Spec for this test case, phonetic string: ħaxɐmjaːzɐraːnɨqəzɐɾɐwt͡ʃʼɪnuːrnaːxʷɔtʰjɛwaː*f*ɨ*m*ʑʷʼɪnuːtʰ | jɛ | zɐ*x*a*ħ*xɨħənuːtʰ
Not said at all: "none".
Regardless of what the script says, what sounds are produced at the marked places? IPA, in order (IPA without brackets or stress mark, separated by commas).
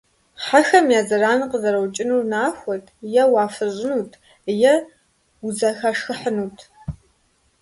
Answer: f, none, x, ʂ